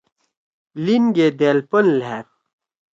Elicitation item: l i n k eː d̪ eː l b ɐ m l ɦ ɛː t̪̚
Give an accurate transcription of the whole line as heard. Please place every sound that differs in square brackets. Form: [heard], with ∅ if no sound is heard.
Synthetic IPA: l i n [ɡ] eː d̪ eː l [p] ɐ [n] l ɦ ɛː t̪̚